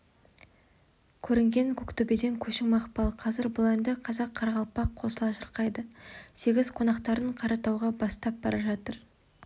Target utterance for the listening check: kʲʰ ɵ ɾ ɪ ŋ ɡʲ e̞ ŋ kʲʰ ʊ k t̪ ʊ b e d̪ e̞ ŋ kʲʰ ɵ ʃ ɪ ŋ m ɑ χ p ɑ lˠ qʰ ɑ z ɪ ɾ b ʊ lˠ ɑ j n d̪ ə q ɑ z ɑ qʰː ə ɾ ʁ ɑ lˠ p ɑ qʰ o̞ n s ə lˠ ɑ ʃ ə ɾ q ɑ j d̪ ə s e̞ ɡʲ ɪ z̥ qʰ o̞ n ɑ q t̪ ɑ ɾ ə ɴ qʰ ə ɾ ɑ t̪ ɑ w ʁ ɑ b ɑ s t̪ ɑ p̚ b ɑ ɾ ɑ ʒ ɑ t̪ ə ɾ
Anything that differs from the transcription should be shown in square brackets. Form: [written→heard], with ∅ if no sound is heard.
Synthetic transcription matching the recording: kʲʰ ɵ ɾ ɪ ŋ ɡʲ e̞ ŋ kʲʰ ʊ k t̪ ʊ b e d̪ e̞ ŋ kʲʰ ɵ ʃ ɪ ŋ m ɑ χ p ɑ lˠ qʰ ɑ z ɪ ɾ b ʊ lˠ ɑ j n d̪ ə [q→qʰ] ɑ z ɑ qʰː [ə→ɑ] ɾ ʁ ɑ lˠ p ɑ qʰ o̞ [n→∅] s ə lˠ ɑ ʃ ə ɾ q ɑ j d̪ ə s e̞ ɡʲ ɪ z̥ qʰ o̞ n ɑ q t̪ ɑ ɾ ə ɴ qʰ [ə→ɑ] ɾ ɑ t̪ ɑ w ʁ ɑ b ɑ s t̪ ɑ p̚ b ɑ ɾ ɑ ʒ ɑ t̪ ə ɾ